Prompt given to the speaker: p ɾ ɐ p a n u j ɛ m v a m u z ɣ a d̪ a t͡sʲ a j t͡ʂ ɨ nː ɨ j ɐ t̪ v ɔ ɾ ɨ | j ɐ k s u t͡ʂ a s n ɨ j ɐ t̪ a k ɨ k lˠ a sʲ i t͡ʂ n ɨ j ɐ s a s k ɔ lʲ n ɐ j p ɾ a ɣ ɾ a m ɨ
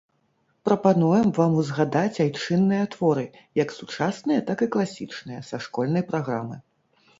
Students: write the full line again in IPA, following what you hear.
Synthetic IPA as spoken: p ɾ ɐ p a n u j ɛ m v a m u z ɣ a d̪ a t͡sʲ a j t͡ʂ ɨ nː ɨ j ɐ t̪ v ɔ ɾ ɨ | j ɐ k s u t͡ʂ a s n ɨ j ɐ t̪ a k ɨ k lˠ a sʲ i t͡ʂ n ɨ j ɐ s a ʂ k ɔ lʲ n ɐ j p ɾ a ɣ ɾ a m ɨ